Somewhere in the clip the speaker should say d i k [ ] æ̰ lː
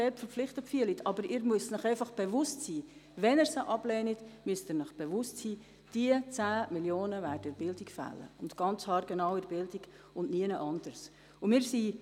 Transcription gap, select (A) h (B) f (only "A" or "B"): B